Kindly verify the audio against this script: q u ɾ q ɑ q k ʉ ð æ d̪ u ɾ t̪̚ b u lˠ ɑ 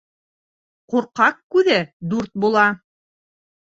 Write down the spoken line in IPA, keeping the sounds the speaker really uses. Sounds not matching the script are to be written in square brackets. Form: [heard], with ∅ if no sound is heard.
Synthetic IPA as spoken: q u ɾ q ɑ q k ʉ ð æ d̪ u ɾ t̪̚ b u lˠ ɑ